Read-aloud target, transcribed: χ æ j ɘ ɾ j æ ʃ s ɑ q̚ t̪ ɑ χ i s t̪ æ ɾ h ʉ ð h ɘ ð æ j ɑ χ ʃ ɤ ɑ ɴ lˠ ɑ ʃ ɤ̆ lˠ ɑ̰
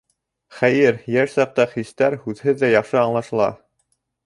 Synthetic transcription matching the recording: χ æ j ɘ ɾ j æ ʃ s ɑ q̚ t̪ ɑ χ i s t̪ æ ɾ h ʉ ð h ɘ ðː æ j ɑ χ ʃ ɤ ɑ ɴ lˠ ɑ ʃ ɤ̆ lˠ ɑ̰

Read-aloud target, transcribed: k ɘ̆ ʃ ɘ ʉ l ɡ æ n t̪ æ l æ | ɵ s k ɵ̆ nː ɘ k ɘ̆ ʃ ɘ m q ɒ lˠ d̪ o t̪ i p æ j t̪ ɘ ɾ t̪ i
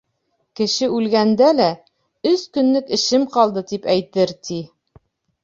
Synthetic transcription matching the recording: k ɘ̆ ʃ ɘ ʉ l ɡ æ n d̪ æ l æ | ɵ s k ɵ̆ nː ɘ k ɘ̆ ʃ ɘ m q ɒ lˠ d̪ ɤ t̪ i p æ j t̪ ɘ ɾ t̪ i

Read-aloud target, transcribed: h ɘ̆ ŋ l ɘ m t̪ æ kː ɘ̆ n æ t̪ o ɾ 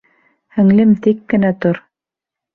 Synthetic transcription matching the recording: h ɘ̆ ŋ l ɘ m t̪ i kː ɘ̆ n æ t̪ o ɾ

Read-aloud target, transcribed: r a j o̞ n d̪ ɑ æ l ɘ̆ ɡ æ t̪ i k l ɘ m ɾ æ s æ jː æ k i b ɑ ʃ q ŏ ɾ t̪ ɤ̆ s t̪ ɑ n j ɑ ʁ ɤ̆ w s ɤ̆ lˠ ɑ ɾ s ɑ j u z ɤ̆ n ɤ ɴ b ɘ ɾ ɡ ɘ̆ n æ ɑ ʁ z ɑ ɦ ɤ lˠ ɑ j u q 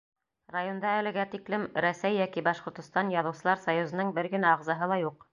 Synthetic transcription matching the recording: r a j o̞ n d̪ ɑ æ l ɘ̆ ɡ æ t̪ i k l ɘ m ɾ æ s æ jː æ k i b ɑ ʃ q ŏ ɾ t̪ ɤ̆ s t̪ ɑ n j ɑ ð ɤ̆ w s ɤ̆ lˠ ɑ ɾ s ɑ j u z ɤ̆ n ɤ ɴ b ɘ ɾ ɡ ɘ̆ n æ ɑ ʁ z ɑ ɦ ɤ lˠ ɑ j u q

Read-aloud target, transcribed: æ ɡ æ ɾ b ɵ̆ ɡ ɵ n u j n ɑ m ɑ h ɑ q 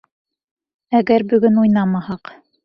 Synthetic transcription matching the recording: æ ɡ æ ɾ b ɵ̆ ɡ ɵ n u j n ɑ m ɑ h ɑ q

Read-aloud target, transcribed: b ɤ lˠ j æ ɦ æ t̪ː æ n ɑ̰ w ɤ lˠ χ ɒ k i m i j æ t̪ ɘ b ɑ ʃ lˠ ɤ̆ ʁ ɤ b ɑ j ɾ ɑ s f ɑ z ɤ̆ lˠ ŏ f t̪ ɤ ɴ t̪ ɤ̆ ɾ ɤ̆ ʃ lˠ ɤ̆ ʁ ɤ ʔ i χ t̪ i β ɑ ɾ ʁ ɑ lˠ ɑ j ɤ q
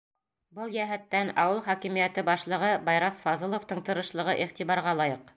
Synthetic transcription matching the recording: b ɤ lˠ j æ ɦ æ t̪ː æ n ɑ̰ w ɤ lˠ χ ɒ k i m i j æ t̪ ɘ b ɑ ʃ lˠ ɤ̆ ʁ ɤ b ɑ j ɾ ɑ s f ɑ z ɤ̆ lˠ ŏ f t̪ ɤ ɴ t̪ ɤ̆ ɾ ɤ̆ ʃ lˠ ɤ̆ ʁ ɤ ʔ i χ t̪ i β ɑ ɾ ʁ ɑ lˠ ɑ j ɤ q

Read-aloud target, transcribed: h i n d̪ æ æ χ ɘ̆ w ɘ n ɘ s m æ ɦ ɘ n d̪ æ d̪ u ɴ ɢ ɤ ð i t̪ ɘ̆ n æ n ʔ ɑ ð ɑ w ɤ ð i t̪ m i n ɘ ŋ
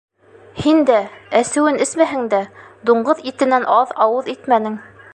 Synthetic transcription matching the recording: h i n d̪ æ æ s ɘ̆ w ɘ n ɘ s m æ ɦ ɘ ŋ d̪ æ d̪ u ɴ ɢ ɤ ð i t̪ ɘ̆ n æ n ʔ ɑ ð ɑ w ɤ ð i t̪ m æ n ɘ ŋ

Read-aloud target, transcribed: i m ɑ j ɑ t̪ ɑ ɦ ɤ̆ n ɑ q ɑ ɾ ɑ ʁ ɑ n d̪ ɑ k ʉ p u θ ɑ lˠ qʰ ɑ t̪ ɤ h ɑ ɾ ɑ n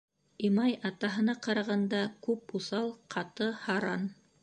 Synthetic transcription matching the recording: i m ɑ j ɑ t̪ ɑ ɦ ɤ̆ n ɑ q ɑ ɾ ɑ ʁ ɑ n d̪ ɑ k ʉ p u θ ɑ lˠ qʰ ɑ t̪ ɤ h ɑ ɾ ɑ n

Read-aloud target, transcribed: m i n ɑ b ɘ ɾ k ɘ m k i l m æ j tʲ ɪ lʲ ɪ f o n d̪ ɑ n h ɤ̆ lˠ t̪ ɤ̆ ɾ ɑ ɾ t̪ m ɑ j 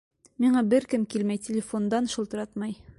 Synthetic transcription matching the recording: m i ɴ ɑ b ɘ ɾ k ɘ m k i l m æ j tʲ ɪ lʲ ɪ f o n d̪ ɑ n ʃ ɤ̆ lˠ t̪ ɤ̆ ɾ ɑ t̪ m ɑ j

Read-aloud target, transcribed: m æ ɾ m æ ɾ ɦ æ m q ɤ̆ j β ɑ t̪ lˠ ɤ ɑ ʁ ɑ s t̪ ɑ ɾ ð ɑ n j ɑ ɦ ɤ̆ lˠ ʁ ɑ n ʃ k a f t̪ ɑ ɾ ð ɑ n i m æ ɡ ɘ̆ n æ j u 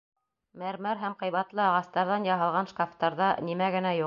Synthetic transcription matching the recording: m æ ɾ m æ ɾ ɦ æ m q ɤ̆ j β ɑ t̪ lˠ ɤ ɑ ʁ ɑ s t̪ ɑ ɾ ð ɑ n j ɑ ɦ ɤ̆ lˠ ʁ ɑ n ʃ k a f t̪ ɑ ɾ ð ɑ n i m æ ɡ ɘ̆ n æ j u

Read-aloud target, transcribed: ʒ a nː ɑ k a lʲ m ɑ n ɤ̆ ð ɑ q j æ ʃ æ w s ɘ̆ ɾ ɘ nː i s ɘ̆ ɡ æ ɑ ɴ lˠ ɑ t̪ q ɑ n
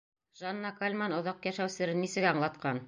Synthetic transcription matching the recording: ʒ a nː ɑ k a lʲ m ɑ n ŏ ð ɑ q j æ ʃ æ w s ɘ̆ ɾ ɘ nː i s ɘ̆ ɡ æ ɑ ɴ lˠ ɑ t̪ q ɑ n

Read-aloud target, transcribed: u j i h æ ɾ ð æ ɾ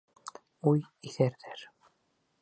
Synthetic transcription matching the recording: u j i θ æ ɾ ð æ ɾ

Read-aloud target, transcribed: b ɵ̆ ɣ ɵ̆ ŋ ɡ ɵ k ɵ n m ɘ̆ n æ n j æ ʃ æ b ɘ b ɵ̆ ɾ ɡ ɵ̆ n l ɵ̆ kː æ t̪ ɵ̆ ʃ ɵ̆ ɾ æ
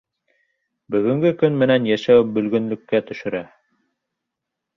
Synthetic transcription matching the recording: b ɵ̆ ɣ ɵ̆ ŋ ɡ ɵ k ɵ n m ɘ̆ n æ n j æ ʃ æ w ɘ b ɵ̆ l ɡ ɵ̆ n l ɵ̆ kː æ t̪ ɵ̆ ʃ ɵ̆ ɾ æ

